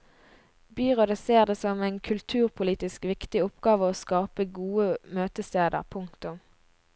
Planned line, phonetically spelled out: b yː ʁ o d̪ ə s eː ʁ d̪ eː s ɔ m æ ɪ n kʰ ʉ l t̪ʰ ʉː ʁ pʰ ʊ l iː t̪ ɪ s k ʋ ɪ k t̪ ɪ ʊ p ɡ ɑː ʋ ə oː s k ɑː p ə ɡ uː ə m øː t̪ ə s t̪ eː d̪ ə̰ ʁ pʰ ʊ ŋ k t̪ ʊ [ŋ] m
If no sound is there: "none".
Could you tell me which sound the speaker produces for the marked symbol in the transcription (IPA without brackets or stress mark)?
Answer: none